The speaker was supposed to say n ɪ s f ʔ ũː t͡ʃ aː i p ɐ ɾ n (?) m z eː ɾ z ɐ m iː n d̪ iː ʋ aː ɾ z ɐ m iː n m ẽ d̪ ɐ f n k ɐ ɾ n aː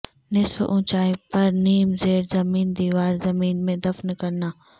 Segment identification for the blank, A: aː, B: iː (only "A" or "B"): B